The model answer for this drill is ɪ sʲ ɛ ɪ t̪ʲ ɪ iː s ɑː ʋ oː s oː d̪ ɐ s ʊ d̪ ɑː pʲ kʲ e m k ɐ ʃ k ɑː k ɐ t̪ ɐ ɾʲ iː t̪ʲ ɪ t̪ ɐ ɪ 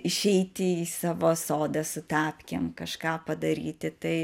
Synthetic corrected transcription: ɪ ʃʲ ɛ ɪ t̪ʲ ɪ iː s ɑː ʋ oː s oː d̪ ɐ s ʊ t̪ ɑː pʲ kʲ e m k ɐ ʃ k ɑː p ɐ d̪ ɐ ɾʲ iː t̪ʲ ɪ t̪ ɐ ɪ